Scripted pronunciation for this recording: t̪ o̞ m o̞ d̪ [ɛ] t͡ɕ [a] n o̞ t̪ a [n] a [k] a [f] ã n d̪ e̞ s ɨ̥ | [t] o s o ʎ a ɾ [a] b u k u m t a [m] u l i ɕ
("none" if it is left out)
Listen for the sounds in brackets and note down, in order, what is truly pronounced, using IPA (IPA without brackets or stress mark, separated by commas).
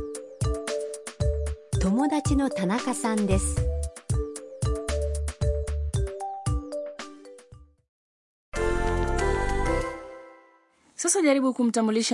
a, i, n, k, s, s, i, m